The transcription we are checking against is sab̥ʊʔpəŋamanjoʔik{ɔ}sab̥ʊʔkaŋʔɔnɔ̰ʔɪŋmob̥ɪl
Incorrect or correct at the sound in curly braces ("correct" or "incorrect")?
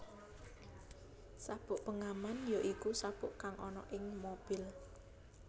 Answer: incorrect